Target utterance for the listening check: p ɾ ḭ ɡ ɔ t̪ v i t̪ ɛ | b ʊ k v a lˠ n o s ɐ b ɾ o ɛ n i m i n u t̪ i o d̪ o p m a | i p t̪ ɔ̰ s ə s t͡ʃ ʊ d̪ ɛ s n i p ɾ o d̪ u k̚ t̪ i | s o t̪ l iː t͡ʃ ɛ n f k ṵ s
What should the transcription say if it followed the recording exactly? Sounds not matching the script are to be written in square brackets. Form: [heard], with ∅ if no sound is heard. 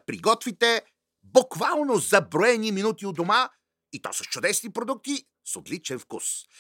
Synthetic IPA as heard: p ɾ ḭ ɡ ɔ t̪ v i t̪ ɛ | b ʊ k v a lˠ n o [z] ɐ b ɾ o ɛ n i m i n u t̪ i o d̪ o [∅] m a | i [∅] t̪ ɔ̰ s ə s t͡ʃ ʊ d̪ ɛ s n i p ɾ o d̪ u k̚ t̪ i | s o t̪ l [i] t͡ʃ ɛ n f k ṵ s